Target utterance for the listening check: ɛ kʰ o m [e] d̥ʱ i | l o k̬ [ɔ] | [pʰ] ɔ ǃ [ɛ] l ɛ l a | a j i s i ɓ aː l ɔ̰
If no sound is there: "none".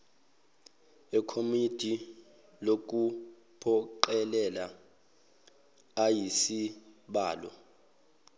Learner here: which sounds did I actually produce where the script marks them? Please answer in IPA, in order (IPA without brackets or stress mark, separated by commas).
i, u, pʰ, ɛ